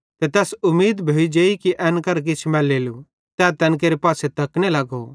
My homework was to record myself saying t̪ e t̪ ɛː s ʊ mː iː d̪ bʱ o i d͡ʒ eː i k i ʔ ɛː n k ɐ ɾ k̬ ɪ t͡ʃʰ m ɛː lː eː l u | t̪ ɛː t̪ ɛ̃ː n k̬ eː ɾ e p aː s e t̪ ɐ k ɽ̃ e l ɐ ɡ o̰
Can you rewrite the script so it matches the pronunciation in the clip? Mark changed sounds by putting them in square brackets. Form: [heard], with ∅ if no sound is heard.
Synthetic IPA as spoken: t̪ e t̪ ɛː s ʊ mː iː d̪ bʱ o i d͡ʒ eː i k i ʔ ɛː n k ɐ ɾ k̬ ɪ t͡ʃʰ m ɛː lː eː l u | t̪ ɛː t̪ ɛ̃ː n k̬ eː ɾ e p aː s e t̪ ɐ k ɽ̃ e l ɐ ɡ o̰